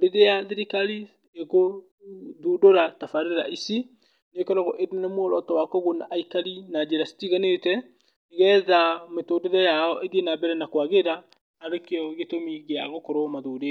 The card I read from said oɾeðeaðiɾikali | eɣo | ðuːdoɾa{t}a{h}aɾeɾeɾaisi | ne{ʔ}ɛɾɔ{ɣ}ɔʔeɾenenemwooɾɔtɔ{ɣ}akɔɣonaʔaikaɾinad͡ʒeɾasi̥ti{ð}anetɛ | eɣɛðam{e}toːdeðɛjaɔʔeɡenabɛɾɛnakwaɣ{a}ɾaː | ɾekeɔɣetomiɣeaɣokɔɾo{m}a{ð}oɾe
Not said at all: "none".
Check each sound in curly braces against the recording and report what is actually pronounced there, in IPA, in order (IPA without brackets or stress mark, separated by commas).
t, f, k, ɣ, w, ɣ, e, e, m, ð